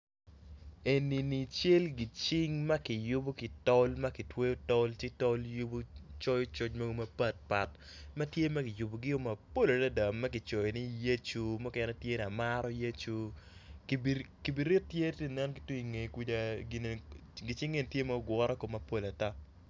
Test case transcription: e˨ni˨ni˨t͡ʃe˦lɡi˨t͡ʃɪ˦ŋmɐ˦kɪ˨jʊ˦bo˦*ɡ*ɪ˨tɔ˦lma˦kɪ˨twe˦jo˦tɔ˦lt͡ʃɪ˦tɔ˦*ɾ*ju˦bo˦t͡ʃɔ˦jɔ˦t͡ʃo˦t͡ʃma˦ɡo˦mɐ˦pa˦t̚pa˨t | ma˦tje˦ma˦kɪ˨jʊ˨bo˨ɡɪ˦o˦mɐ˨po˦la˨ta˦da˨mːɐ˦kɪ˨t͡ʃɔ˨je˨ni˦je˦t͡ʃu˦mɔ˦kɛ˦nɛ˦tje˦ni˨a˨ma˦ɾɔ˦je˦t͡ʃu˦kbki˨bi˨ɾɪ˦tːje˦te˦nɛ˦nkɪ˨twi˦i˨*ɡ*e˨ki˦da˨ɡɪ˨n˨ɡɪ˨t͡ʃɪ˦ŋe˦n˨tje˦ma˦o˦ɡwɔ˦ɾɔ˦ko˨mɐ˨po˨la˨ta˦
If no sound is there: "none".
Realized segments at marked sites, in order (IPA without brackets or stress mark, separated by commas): k, l, ŋ